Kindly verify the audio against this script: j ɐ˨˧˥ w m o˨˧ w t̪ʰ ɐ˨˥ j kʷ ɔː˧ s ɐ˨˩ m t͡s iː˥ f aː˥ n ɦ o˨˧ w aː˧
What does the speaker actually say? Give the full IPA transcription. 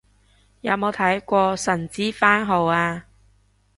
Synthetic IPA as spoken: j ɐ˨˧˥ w m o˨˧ w t̪ʰ ɐ˨˥ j kʷ ɔː˧ s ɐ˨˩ n t͡s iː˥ f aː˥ n ɦ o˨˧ w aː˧